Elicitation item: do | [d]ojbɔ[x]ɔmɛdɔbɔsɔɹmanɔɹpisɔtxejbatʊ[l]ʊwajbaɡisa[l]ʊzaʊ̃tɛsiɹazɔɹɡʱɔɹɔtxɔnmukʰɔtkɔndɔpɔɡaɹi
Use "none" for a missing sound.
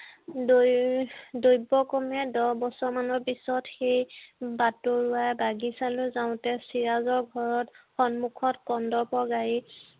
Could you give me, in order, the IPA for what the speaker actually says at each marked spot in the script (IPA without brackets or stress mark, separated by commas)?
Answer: d, k, ɹ, l